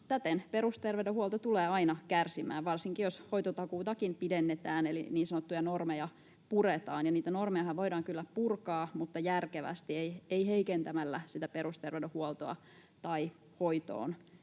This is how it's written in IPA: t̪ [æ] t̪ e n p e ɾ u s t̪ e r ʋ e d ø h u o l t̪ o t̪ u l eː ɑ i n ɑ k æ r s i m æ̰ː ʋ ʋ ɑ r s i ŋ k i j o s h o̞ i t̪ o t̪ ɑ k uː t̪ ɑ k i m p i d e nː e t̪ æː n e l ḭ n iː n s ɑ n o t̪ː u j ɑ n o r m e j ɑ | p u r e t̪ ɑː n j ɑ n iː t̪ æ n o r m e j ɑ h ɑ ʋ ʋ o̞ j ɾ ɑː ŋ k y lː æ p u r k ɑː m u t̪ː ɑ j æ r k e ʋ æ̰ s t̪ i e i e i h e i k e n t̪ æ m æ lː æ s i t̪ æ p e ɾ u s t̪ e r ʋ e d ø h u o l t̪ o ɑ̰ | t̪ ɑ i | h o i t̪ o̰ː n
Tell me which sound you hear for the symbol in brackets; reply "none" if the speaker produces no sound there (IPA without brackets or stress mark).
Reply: æ